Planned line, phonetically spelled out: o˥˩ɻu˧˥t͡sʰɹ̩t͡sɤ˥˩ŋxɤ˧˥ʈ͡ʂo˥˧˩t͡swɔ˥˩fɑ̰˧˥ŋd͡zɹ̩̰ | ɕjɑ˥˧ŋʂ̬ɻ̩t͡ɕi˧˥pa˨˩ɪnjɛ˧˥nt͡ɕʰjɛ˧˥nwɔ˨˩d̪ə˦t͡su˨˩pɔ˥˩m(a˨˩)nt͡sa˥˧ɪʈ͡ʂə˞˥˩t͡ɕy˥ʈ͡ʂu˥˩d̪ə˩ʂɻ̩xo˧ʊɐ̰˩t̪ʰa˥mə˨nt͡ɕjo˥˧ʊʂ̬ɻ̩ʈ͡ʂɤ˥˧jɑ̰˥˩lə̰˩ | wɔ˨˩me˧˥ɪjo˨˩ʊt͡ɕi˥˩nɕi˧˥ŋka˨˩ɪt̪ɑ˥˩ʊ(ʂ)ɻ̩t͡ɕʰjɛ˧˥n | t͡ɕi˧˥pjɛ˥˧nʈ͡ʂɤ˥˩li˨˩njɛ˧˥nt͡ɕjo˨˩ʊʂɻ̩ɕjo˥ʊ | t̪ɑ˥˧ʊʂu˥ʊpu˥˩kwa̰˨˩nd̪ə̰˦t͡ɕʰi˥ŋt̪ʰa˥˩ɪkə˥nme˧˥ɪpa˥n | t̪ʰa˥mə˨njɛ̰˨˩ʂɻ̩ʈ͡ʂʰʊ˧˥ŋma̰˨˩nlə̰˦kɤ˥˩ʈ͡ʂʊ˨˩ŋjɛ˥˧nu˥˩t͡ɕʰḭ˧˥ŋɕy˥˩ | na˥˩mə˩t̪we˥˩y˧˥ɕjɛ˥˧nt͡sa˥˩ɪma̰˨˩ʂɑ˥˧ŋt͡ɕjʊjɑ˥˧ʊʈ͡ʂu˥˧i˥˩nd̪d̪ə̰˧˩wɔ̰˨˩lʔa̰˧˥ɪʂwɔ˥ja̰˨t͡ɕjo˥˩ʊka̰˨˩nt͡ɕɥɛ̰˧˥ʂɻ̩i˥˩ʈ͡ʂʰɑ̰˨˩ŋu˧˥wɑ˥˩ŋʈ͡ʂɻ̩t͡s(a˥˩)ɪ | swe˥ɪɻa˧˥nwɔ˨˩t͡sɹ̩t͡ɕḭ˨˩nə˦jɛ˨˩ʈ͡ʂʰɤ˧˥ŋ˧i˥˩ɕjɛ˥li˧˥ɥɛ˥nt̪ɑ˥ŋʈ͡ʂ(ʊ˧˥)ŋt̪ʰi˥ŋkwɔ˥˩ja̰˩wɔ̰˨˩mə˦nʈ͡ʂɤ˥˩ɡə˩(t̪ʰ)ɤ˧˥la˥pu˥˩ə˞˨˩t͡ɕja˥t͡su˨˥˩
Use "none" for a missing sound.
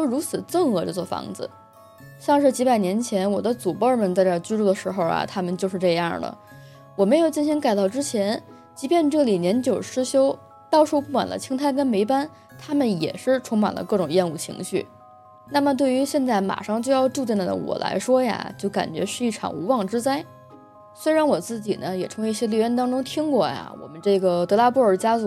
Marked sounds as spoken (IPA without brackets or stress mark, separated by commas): ə˨˩, ʈ͡ʂ, a˥, ʊ˥, t̪